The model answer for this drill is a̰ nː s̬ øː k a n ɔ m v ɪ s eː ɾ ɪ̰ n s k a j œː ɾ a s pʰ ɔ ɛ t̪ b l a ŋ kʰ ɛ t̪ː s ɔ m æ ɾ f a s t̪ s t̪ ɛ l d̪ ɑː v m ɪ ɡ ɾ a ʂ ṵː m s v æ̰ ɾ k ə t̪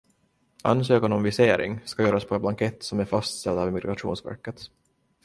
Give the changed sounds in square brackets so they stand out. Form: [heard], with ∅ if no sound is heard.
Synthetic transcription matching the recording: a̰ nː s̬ øː k a n ɔ m v ɪ s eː ɾ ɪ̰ [ŋ] s k a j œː ɾ a s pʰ ɔ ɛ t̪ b l a ŋ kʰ ɛ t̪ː s ɔ m æ ɾ f a s t̪ s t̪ ɛ l d̪ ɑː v m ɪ ɡ ɾ a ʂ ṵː [n] s v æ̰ ɾ k ə t̪